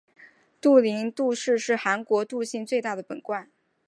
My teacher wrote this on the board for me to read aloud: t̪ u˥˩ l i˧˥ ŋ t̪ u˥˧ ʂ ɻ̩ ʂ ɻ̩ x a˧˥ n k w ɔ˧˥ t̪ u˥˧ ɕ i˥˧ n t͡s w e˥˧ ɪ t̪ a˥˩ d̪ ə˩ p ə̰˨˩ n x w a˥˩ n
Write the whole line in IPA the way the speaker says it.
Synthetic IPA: t̪ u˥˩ l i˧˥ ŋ t̪ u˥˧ ʂ ɻ̩ ʂ ɻ̩ x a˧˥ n k w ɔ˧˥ t̪ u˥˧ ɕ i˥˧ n t͡s w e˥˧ ɪ t̪ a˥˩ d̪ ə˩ p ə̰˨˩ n k w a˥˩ n